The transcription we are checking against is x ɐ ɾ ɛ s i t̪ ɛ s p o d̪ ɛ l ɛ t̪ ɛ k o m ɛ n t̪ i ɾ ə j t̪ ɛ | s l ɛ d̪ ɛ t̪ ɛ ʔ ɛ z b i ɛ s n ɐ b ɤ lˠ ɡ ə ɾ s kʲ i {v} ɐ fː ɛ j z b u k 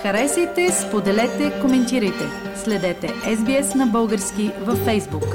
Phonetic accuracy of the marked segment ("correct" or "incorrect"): correct